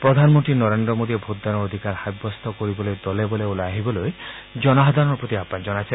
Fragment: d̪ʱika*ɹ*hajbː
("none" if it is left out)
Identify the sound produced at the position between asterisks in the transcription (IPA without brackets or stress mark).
ɾ